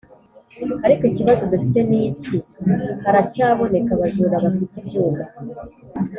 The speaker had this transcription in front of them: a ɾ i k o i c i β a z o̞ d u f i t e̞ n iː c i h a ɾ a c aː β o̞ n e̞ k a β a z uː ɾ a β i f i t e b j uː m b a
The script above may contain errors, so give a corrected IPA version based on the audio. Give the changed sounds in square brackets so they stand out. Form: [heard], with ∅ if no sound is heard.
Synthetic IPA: a ɾ i k o i c i β a z o̞ d u f i t e̞ n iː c i h a ɾ a c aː β o̞ n e̞ k a β a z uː ɾ a β [a] f i t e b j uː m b a